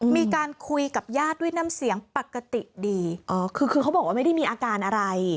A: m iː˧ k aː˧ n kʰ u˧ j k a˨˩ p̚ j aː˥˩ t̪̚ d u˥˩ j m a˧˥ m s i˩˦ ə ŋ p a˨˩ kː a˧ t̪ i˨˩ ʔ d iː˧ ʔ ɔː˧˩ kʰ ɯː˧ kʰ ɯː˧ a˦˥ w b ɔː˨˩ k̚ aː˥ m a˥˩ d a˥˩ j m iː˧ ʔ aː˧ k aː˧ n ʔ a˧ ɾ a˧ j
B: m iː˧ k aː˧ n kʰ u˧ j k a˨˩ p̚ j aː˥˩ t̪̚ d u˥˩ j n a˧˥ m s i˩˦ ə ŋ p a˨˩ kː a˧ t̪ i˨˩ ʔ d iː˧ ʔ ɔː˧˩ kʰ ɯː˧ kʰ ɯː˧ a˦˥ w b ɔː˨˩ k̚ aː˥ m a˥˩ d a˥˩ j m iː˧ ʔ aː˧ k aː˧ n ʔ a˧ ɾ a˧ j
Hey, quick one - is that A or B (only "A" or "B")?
B